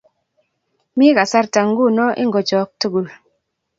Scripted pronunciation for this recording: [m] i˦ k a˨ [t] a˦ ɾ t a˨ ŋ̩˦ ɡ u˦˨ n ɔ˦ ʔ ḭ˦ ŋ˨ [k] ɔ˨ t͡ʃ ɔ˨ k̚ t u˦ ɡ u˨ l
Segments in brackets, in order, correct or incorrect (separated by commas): correct, incorrect, incorrect